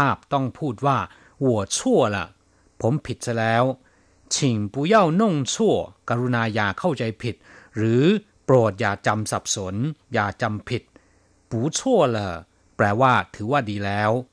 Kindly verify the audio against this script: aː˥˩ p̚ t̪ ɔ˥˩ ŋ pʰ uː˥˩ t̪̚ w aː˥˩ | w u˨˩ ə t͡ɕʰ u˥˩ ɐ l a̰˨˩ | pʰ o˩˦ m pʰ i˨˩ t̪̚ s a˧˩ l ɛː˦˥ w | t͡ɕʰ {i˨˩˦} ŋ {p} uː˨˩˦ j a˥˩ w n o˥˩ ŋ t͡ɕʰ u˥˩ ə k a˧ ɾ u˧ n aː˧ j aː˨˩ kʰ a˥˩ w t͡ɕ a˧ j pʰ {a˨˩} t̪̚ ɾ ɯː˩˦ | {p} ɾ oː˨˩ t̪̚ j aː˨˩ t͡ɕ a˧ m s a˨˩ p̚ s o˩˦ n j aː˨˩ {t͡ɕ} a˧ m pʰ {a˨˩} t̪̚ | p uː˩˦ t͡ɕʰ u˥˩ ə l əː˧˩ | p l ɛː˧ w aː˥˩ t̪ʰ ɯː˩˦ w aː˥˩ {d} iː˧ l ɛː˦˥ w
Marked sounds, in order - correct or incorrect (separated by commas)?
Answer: incorrect, correct, incorrect, correct, correct, incorrect, correct